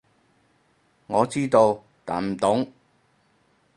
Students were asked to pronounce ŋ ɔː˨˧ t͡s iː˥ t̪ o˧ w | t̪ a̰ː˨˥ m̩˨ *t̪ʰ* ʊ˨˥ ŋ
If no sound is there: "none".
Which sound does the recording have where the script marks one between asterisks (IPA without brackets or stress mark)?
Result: t̪